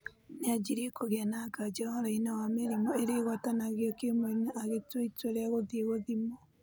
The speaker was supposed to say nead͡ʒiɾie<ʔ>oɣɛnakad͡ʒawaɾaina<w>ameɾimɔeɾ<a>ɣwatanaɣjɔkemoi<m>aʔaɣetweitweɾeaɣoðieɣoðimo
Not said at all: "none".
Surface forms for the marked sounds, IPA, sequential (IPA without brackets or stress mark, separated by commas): k, w, e, n